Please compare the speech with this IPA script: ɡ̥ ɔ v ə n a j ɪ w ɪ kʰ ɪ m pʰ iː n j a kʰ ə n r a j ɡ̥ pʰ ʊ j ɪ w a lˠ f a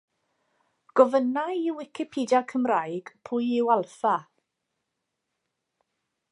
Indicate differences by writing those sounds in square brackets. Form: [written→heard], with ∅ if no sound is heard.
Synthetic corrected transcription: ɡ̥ ɔ v ə n a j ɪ w ɪ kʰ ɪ [m→∅] pʰ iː [n→d] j a kʰ ə [n→m] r a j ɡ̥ pʰ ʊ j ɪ w a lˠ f a